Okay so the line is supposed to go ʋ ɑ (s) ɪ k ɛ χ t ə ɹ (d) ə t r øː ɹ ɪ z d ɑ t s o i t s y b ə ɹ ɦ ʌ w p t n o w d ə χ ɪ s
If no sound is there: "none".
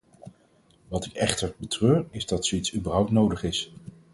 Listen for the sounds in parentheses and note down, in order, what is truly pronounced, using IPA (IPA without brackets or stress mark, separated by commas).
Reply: t, b